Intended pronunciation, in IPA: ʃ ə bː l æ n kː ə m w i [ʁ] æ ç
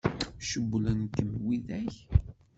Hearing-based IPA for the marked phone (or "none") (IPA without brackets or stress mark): ð